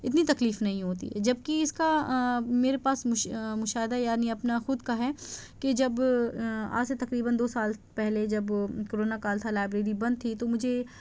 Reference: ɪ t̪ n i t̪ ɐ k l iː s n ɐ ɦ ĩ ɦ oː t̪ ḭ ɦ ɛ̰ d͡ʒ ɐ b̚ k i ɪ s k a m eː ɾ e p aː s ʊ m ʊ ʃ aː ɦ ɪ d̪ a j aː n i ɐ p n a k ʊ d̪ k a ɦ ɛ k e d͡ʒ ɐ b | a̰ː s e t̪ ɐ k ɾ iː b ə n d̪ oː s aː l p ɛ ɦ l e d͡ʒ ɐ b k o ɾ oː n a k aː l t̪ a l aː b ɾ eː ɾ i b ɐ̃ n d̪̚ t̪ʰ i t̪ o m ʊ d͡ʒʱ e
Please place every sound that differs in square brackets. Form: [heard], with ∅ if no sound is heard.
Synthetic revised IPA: ɪ t̪ n i t̪ ɐ k l iː [f] n ɐ ɦ ĩ ɦ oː t̪ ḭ ɦ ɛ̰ d͡ʒ ɐ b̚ k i ɪ s k a m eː ɾ e p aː s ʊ m ʊ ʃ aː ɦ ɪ d̪ a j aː n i ɐ p n a [x] ʊ d̪ k a ɦ ɛ k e d͡ʒ ɐ b | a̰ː s e t̪ ɐ k ɾ iː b ə n d̪ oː s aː l p ɛ ɦ l e d͡ʒ ɐ b k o ɾ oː n a k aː l [t̪ʰ] a l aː b ɾ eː ɾ i b ɐ̃ n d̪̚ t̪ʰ i t̪ o m ʊ d͡ʒʱ e